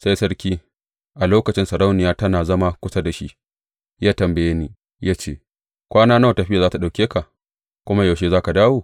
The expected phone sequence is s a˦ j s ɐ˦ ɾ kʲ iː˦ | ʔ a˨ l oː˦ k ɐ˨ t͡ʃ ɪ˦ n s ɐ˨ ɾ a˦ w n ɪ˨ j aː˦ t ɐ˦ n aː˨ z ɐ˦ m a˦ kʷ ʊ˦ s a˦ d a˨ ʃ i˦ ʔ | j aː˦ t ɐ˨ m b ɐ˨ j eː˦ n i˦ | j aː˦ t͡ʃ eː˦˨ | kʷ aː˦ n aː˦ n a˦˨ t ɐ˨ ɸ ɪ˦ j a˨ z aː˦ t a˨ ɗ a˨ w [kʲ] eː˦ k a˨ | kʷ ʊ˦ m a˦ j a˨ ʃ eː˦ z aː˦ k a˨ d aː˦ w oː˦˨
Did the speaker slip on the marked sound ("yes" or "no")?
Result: no